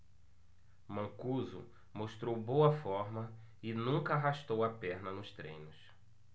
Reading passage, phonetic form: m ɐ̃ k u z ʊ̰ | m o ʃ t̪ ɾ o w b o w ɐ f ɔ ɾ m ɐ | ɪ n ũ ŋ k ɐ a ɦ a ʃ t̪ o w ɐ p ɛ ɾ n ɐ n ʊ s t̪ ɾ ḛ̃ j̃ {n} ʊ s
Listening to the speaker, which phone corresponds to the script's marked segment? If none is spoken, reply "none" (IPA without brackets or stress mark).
n